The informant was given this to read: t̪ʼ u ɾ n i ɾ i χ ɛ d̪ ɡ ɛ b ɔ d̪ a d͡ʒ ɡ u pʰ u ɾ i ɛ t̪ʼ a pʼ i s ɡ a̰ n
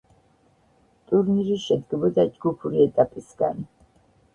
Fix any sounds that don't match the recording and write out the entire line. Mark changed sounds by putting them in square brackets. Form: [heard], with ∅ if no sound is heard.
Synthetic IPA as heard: t̪ʼ u ɾ n i ɾ i [ʃ] ɛ d̪ ɡ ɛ b ɔ d̪ a d͡ʒ ɡ u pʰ u ɾ i ɛ t̪ʼ a pʼ i s ɡ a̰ n